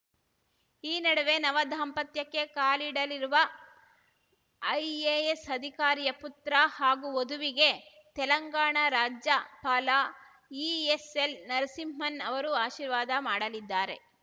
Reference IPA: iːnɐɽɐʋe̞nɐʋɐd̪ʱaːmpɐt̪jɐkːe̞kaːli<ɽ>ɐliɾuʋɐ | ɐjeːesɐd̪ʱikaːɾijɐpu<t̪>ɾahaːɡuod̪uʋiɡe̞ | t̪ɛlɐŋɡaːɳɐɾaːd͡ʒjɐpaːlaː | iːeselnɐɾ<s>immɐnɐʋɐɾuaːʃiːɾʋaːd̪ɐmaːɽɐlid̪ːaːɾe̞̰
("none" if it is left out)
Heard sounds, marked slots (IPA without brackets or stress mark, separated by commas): ɽ, t̪, s